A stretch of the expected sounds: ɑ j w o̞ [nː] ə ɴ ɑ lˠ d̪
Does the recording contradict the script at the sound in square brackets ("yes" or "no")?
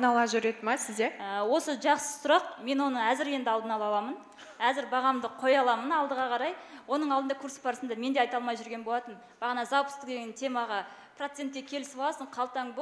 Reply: yes